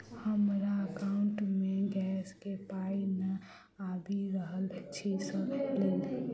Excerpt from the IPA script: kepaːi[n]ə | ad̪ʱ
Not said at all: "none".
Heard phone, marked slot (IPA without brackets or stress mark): n